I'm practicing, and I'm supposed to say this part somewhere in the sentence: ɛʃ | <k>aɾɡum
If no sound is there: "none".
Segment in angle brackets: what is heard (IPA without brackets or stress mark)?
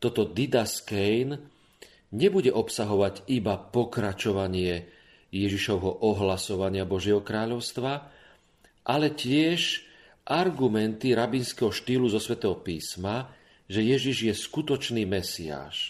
ʔ